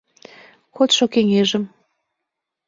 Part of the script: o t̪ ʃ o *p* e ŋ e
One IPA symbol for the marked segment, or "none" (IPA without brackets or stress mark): k